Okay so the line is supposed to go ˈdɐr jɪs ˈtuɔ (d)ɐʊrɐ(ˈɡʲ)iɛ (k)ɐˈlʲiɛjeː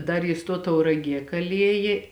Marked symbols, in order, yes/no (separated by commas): no, yes, yes